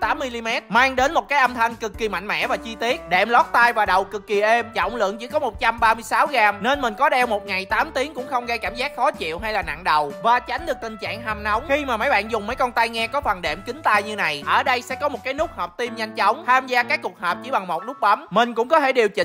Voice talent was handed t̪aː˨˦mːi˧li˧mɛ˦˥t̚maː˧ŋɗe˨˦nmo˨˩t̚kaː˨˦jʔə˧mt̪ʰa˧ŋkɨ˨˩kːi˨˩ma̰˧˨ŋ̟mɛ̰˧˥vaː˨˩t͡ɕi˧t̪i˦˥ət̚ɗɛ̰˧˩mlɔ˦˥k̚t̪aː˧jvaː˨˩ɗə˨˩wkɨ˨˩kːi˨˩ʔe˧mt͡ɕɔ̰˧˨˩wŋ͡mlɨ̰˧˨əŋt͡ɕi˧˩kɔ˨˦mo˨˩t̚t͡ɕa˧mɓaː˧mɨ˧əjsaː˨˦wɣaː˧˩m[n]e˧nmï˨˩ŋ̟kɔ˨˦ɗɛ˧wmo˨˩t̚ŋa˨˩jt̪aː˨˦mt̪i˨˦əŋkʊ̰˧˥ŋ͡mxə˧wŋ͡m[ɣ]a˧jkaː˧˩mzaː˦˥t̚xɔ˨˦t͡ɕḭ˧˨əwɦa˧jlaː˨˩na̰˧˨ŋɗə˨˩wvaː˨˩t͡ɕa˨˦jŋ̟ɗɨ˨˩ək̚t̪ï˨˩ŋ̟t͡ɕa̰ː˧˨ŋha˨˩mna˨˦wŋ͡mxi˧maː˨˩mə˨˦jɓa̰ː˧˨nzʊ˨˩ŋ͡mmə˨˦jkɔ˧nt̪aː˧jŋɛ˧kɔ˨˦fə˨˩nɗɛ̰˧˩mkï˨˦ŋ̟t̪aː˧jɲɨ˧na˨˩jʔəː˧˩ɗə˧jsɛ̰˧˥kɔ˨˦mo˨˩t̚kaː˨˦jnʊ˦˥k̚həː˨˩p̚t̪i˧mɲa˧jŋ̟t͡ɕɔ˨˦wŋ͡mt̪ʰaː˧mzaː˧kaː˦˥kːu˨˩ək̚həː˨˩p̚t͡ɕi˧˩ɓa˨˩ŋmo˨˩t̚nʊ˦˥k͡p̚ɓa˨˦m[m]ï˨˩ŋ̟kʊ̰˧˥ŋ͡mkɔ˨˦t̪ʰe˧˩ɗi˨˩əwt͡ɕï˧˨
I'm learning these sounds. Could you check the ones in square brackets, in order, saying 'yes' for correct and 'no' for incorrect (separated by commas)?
yes, yes, yes